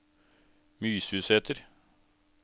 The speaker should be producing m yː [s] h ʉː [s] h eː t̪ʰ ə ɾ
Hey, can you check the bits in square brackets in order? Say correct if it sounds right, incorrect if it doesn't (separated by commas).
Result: correct, correct